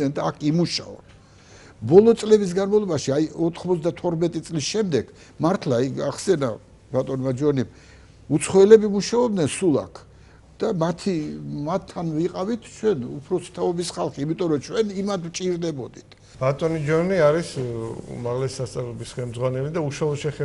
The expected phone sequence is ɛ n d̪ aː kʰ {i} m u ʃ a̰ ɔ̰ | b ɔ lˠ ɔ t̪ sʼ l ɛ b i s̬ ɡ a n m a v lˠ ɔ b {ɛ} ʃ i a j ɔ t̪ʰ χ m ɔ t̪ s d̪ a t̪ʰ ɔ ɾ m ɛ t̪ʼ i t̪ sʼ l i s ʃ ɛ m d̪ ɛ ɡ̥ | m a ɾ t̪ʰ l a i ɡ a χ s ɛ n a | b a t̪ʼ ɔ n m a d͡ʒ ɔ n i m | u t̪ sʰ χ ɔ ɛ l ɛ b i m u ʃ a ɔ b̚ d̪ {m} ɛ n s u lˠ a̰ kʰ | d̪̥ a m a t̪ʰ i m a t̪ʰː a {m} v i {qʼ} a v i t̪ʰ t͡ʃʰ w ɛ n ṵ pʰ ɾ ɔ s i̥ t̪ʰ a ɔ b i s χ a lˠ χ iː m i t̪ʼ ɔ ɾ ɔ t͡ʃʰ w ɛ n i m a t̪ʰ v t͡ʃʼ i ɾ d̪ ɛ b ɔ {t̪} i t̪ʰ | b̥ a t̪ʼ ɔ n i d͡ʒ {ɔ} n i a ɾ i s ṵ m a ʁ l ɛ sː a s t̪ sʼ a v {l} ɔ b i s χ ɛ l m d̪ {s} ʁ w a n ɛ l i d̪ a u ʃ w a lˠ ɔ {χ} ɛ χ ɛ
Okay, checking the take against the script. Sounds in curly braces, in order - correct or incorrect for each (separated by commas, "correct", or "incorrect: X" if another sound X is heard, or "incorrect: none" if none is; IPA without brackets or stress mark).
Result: correct, incorrect: a, incorrect: n, incorrect: n, correct, incorrect: d̪, correct, correct, incorrect: z, incorrect: ʃ